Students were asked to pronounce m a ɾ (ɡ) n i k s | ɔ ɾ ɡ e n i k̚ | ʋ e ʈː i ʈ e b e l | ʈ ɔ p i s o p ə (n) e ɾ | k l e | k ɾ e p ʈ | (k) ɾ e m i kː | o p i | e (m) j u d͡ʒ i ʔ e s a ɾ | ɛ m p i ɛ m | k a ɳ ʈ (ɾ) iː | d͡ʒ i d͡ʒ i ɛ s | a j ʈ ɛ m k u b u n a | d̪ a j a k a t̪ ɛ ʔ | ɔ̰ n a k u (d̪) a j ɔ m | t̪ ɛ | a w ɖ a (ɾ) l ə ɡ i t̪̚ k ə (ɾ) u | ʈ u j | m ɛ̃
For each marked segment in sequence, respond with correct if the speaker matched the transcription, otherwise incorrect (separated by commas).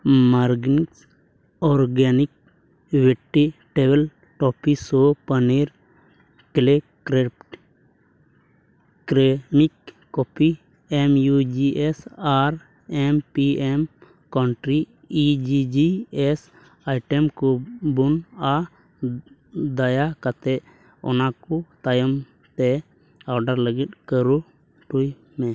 correct, correct, correct, correct, correct, incorrect, correct, correct